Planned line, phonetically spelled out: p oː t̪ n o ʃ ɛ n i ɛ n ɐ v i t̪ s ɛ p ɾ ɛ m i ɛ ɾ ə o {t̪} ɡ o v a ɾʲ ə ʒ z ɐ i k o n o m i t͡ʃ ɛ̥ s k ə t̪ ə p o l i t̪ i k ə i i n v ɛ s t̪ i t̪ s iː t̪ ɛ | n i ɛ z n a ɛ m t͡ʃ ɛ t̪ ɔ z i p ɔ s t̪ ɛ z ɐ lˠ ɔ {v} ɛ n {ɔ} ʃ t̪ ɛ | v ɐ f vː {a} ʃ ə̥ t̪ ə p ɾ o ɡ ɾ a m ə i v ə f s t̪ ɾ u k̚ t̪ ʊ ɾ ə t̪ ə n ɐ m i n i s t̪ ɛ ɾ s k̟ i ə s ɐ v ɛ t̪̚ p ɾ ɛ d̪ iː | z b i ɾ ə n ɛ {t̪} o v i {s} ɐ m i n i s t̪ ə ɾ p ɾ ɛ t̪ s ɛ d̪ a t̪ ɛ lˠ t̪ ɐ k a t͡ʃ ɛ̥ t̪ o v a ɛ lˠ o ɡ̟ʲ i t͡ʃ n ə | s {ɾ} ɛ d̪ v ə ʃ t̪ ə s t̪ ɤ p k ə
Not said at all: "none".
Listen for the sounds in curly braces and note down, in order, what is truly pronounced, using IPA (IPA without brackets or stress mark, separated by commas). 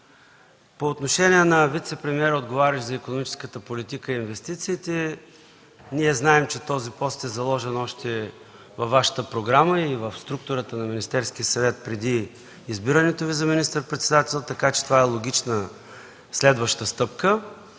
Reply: d̪, ʒ, ɔ, a, t̪, z, l